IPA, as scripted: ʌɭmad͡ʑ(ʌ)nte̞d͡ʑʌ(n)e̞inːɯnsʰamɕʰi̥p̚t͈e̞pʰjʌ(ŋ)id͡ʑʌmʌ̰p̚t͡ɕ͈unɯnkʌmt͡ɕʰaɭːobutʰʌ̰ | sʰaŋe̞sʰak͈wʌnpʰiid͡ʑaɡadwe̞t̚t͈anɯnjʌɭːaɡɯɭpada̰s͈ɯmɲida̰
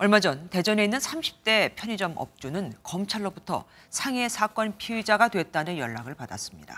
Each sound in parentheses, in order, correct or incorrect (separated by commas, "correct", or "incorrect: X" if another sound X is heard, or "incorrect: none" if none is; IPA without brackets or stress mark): correct, correct, incorrect: ɲ